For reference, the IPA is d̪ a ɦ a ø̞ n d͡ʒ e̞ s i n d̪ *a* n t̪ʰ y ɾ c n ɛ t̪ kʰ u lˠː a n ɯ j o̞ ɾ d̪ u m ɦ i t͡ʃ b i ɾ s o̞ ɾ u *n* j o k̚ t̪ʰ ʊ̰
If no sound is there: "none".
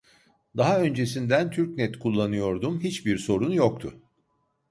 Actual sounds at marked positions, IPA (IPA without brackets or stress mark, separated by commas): æ, n